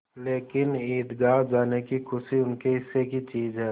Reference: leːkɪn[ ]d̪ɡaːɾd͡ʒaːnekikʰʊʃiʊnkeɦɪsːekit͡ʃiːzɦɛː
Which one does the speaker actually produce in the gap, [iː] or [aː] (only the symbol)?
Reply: iː